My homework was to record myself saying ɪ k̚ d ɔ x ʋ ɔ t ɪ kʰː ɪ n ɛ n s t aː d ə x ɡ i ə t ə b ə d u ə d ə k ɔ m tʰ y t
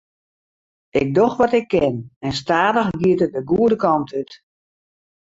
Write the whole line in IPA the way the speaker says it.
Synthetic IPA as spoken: ɪ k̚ d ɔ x ʋ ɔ t ɪ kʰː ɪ n ɛ n s t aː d ə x ɡ i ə t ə d ə ɡ u ə d ə k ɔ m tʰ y t